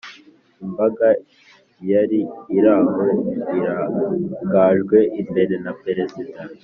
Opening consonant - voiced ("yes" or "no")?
yes